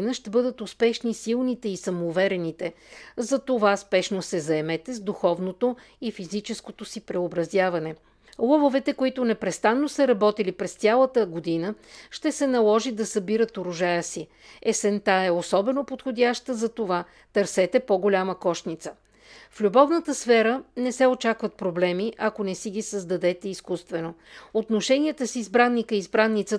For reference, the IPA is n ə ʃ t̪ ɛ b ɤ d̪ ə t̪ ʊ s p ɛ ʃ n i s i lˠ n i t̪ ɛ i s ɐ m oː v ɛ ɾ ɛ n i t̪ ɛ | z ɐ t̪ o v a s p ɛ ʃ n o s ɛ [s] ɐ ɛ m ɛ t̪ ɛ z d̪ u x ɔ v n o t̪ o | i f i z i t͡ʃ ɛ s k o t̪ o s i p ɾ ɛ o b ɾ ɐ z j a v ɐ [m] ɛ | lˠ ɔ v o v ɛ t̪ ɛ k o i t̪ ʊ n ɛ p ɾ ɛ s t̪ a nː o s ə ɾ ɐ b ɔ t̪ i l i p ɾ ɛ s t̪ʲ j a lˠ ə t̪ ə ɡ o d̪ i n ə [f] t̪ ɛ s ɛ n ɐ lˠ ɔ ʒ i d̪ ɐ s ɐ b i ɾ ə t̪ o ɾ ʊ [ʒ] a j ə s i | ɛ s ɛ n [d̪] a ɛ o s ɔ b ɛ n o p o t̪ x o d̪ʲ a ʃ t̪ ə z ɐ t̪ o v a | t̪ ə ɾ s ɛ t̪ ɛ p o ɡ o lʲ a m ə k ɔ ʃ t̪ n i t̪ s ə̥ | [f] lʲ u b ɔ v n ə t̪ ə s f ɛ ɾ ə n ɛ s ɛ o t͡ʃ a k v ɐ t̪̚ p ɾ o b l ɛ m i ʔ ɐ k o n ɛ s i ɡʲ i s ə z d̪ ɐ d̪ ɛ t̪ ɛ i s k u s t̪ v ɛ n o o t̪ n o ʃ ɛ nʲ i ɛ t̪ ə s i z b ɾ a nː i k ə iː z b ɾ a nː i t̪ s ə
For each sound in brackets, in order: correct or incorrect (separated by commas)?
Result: incorrect, incorrect, incorrect, correct, incorrect, correct